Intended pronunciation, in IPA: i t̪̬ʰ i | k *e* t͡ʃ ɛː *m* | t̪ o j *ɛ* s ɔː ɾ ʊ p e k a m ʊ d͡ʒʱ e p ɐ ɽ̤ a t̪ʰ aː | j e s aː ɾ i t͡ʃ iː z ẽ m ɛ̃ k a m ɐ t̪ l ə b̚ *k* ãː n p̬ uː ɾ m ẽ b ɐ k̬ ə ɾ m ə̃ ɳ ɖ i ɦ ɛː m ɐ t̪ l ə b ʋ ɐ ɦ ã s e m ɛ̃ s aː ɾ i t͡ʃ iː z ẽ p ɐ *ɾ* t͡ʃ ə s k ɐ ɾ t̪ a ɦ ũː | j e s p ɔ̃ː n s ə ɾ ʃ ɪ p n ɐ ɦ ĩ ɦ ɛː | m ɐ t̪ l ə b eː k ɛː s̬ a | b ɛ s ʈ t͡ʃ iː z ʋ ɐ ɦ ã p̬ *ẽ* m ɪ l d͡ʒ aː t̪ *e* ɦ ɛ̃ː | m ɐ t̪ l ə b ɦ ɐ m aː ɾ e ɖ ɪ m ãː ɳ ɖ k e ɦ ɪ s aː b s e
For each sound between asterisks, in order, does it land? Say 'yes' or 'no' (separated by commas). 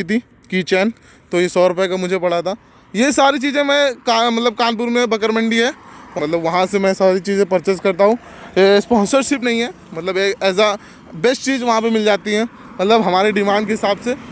no, no, no, yes, yes, no, no